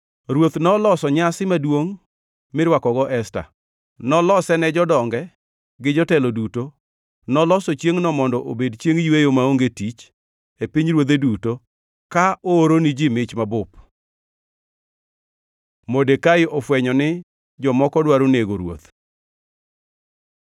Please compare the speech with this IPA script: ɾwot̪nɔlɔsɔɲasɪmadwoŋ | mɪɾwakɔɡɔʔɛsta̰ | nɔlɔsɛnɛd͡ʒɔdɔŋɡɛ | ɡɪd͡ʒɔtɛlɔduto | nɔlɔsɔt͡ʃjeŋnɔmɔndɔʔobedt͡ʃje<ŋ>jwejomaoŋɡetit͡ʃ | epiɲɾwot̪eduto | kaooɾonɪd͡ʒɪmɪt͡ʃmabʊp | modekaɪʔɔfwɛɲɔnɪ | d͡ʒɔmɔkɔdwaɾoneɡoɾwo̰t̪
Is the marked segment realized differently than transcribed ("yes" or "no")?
no